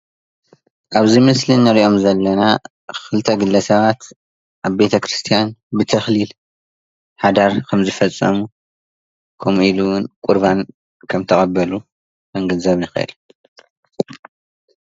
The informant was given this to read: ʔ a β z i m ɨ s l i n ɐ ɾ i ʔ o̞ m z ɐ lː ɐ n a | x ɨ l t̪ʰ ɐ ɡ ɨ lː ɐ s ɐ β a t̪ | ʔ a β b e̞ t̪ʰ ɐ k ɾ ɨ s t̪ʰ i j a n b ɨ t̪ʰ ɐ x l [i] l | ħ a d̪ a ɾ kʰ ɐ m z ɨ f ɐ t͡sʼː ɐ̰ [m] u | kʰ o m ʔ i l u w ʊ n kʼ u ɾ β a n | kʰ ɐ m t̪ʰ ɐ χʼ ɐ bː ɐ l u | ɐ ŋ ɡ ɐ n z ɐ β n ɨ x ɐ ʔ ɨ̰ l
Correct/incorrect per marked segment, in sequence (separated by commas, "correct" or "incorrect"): correct, correct